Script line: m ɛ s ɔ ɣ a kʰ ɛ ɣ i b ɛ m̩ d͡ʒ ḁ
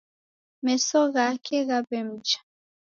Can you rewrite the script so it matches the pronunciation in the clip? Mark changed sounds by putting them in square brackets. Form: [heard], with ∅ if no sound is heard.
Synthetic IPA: m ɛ s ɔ ɣ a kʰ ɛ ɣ [a] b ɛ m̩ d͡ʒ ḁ